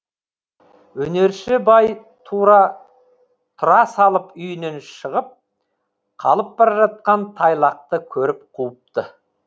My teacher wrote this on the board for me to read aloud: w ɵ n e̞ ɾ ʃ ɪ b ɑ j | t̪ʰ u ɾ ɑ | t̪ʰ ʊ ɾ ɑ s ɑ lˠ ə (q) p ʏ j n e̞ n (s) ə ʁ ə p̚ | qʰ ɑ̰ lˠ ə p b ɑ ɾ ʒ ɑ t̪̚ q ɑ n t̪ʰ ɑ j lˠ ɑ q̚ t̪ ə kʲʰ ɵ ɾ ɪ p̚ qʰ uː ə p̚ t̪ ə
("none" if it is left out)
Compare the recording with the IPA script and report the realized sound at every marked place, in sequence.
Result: none, ʃ

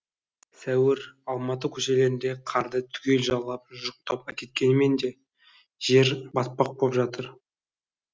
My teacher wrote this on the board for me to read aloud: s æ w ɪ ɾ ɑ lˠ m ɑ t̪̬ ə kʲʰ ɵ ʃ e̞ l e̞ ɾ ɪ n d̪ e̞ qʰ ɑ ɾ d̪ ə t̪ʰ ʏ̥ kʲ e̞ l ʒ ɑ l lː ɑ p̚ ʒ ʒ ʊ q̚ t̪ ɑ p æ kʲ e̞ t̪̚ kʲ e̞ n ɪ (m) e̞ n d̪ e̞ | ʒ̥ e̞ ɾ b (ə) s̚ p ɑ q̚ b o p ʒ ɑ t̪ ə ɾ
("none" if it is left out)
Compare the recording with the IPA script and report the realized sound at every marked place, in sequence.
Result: m, ɑ

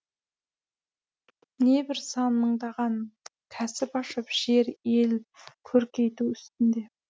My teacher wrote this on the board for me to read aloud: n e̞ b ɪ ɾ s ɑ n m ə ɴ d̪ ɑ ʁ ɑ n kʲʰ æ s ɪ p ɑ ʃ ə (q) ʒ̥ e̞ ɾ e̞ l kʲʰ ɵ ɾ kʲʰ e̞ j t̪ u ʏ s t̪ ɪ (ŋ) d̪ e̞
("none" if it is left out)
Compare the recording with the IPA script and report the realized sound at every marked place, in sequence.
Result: p, n

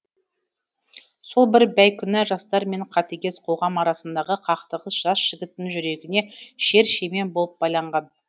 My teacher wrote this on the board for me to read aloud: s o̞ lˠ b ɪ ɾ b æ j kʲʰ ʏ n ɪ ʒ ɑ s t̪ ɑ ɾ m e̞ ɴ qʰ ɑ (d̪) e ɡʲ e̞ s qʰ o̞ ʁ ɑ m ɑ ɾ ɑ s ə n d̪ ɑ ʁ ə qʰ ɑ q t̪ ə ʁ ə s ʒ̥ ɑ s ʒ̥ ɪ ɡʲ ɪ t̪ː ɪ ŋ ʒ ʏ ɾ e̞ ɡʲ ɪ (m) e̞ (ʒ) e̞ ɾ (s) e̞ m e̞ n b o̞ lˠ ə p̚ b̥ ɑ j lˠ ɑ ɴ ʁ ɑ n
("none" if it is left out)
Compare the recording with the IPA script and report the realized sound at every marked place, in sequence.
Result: t̪, n, ʃ, ʃ

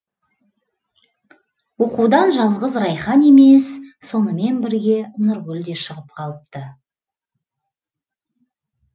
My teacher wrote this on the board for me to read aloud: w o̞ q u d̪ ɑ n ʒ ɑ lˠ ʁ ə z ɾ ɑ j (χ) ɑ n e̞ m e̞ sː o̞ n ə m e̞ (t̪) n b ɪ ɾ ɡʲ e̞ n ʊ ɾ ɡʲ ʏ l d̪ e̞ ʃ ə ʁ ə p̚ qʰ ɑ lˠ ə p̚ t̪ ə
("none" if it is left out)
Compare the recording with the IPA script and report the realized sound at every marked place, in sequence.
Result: χ, none

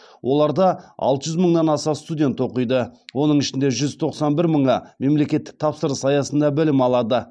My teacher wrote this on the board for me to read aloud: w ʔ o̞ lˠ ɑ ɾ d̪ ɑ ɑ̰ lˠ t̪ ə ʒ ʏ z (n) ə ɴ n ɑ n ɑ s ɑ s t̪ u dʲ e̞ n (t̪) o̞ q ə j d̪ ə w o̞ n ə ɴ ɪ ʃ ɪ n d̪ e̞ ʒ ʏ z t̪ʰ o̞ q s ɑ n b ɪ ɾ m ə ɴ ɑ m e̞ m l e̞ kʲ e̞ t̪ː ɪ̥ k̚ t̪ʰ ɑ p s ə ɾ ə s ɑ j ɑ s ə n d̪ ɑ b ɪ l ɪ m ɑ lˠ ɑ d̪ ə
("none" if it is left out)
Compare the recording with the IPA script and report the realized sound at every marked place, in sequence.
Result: m, t̪

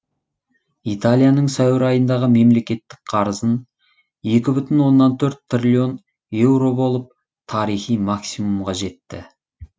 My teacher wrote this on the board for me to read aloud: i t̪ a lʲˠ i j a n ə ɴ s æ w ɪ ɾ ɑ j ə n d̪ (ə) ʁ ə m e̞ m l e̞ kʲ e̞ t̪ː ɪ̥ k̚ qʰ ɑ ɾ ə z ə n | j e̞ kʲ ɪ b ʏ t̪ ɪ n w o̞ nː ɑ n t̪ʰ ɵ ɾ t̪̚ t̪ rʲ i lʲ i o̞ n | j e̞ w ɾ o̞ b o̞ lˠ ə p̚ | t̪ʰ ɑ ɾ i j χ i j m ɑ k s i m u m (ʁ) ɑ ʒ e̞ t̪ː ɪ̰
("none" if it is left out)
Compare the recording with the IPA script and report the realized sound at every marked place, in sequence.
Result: ɑ, ʁ

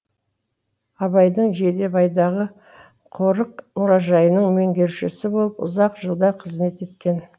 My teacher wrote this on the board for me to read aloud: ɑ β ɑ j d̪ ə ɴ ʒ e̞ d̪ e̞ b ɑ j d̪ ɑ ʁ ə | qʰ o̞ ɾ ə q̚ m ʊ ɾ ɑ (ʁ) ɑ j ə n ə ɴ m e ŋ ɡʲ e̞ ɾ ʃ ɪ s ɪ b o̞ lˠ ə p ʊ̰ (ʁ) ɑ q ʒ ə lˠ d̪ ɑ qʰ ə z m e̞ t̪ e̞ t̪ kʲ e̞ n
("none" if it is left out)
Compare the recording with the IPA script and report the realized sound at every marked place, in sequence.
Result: ʒ, z

